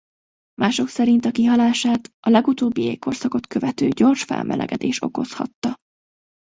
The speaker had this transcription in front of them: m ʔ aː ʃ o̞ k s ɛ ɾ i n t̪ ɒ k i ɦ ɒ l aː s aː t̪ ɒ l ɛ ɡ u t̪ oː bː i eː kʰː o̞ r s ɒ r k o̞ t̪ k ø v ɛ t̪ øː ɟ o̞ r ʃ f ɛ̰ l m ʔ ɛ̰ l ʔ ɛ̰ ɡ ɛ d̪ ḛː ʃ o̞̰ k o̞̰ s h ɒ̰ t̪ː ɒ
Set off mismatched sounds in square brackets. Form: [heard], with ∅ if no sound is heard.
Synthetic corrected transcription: m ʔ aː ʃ o̞ k s ɛ ɾ i n t̪ ɒ k i ɦ ɒ l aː [ʃ] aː t̪ ɒ l ɛ ɡ u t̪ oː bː i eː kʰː o̞ r s ɒ [∅] k o̞ t̪ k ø v ɛ t̪ øː ɟ o̞ r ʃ f ɛ̰ l m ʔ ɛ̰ l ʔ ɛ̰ ɡ ɛ d̪ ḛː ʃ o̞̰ k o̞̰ s h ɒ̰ t̪ː ɒ

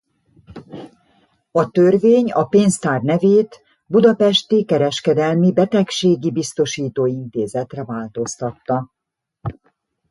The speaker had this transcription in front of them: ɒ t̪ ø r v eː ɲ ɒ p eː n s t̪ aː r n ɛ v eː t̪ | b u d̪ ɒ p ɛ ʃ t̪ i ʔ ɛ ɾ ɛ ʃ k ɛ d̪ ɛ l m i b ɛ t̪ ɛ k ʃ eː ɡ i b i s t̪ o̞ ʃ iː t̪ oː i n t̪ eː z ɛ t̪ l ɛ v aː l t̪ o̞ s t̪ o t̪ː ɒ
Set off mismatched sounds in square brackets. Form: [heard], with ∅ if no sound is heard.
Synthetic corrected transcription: ɒ t̪ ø r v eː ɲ ɒ p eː n s t̪ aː r n ɛ v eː t̪ | b u d̪ ɒ p ɛ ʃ t̪ i [k] ɛ ɾ ɛ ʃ k ɛ d̪ ɛ l m i b ɛ t̪ ɛ k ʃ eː ɡ i b i s t̪ o̞ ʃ iː t̪ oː i n t̪ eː z ɛ t̪ [r] ɛ v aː l t̪ o̞ s t̪ [ɒ] t̪ː ɒ

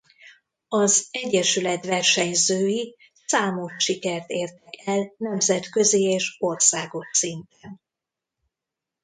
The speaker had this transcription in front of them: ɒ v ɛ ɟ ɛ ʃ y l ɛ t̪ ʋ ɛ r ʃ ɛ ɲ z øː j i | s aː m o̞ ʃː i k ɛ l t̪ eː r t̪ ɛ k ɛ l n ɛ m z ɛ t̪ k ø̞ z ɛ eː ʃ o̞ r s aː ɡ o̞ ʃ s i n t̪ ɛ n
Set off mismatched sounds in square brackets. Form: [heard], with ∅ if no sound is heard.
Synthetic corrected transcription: ɒ [z] ɛ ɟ ɛ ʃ y l ɛ t̪ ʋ ɛ r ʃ ɛ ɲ z øː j i | s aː m o̞ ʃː i k ɛ [r] t̪ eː r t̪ ɛ k ɛ l n ɛ m z ɛ t̪ k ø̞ z [i] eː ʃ o̞ r s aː ɡ o̞ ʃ s i n t̪ ɛ n

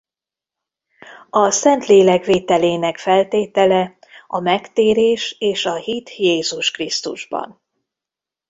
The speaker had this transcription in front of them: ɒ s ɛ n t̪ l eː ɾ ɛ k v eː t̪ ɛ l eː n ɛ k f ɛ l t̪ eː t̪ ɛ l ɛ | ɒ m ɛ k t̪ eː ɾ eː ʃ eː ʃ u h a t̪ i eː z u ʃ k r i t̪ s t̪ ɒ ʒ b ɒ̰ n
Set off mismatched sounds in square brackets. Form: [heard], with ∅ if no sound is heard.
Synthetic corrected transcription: ɒ s ɛ n t̪ l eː [l] ɛ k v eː t̪ ɛ l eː n ɛ k f ɛ l t̪ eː t̪ ɛ l ɛ | ɒ m ɛ k t̪ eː ɾ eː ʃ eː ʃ [ɒ] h [i] t̪ [j] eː z u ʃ k r i [∅] s t̪ [u] ʒ b ɒ̰ n

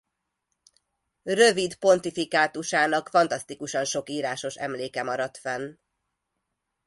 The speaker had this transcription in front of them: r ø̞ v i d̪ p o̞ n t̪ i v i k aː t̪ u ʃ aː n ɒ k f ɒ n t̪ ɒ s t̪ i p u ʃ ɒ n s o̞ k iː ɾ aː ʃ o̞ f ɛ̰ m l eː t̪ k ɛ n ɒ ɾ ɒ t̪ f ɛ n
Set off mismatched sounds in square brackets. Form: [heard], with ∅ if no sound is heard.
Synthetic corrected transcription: r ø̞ v i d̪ p o̞ n t̪ i [f] i k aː t̪ u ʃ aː n ɒ k f ɒ n t̪ ɒ s t̪ i [k] u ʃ ɒ n [ʃ] o̞ k iː ɾ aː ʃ o̞ [ʃ] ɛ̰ m l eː [∅] k ɛ [m] ɒ ɾ ɒ t̪ f ɛ n

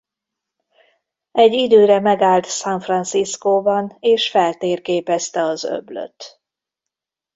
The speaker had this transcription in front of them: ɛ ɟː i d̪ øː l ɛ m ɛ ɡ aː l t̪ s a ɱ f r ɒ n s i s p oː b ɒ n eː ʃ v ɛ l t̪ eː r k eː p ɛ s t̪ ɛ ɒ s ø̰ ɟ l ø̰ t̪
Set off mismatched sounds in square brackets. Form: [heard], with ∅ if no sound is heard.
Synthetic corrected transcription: ɛ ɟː i d̪ øː [ɾ] ɛ m ɛ ɡ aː l t̪ s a ɱ f r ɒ n s i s [k] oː b ɒ n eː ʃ [f] ɛ l t̪ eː r k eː p ɛ s t̪ ɛ ɒ [z] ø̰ [b] l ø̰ t̪

